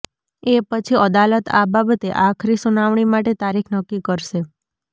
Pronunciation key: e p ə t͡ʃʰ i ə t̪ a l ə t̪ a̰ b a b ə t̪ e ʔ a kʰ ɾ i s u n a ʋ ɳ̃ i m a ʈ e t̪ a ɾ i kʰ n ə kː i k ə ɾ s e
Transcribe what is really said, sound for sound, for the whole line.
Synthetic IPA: e p ə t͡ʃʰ i ə d̪ a l ə t̪ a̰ b a b ə t̪ e ʔ a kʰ ɾ i s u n a ʋ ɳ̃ i m a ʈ e t̪ a ɾ i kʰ n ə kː i k ə ɾ ʃ e